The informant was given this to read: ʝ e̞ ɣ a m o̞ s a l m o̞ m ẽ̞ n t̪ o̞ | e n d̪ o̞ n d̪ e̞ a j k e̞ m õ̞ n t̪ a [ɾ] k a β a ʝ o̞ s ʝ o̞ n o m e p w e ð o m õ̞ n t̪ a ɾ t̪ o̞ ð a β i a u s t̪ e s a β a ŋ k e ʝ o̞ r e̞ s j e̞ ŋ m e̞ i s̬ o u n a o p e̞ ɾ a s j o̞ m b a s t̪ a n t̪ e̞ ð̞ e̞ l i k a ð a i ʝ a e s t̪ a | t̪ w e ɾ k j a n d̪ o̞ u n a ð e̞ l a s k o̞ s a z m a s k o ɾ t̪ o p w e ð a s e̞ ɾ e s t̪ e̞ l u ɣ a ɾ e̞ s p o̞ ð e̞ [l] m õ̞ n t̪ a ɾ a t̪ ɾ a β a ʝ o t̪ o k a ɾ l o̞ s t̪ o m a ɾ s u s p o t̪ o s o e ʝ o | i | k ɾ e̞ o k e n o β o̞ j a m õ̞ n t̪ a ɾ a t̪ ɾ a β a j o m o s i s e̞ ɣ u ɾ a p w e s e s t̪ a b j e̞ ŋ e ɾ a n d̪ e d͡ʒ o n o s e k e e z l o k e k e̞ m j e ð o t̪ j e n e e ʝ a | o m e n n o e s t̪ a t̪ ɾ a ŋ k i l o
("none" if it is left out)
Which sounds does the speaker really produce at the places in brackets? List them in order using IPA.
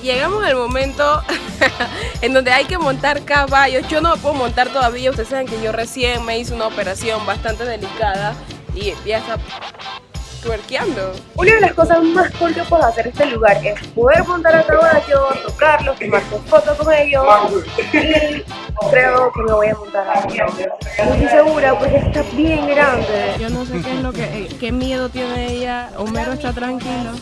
ɾ, ɾ

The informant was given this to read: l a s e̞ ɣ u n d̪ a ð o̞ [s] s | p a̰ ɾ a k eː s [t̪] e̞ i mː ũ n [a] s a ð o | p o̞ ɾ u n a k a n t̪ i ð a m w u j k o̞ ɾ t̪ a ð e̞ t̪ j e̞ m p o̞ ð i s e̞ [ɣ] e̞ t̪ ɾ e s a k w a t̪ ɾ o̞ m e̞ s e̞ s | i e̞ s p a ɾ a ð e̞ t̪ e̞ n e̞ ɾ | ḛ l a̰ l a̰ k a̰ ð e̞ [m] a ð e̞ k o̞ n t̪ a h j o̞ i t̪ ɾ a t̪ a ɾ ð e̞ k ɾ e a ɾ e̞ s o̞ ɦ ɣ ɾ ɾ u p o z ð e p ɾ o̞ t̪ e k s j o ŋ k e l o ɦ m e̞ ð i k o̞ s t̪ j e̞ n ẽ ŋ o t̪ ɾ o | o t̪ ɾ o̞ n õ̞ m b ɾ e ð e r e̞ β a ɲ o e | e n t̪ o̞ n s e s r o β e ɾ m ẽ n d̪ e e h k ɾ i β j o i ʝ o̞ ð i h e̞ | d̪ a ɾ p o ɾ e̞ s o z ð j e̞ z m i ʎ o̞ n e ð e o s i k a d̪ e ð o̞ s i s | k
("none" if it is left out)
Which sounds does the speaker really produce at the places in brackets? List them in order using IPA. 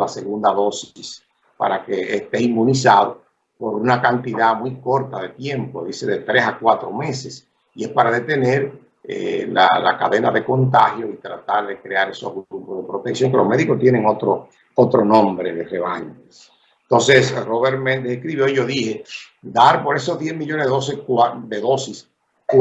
s, t̪, i, ð, n

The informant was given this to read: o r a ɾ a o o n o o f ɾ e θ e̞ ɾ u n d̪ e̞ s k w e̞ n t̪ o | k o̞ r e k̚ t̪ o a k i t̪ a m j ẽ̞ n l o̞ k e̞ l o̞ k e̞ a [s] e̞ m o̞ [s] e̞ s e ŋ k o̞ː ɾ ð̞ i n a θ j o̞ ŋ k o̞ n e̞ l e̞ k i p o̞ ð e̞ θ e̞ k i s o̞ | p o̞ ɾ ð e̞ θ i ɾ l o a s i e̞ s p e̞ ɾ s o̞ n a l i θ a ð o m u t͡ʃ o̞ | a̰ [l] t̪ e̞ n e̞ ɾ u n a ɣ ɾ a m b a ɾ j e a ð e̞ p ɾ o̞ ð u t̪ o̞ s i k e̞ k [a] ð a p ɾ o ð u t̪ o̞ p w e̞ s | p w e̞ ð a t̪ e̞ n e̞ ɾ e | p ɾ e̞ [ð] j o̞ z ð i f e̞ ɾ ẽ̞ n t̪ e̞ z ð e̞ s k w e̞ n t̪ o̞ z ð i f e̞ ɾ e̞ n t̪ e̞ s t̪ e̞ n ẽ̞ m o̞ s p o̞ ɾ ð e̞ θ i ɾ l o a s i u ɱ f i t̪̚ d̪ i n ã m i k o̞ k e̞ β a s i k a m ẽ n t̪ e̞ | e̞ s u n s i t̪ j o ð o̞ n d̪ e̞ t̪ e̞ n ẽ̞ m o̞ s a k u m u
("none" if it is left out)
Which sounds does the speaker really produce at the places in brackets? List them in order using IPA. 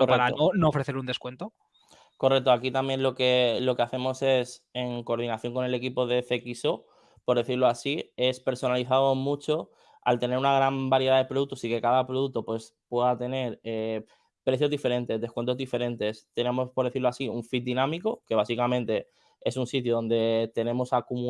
θ, s, l, a, θ

